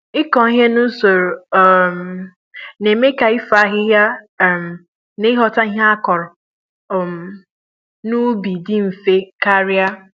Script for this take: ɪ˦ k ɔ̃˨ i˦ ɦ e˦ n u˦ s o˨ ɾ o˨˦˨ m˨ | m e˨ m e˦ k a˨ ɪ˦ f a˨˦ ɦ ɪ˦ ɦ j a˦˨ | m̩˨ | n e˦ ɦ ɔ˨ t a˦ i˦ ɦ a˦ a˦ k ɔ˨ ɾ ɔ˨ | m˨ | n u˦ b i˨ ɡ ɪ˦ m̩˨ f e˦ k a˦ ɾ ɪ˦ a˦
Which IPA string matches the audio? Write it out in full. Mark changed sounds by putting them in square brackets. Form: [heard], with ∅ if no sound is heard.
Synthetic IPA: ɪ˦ k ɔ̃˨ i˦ ɦ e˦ n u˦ s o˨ ɾ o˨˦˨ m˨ | [n] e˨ m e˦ k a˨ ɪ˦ f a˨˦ ɦ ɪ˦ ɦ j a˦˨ | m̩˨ | n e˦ ɦ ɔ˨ t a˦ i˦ ɦ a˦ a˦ k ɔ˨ ɾ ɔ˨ | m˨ | n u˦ b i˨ [d] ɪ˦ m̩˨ f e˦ k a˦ ɾ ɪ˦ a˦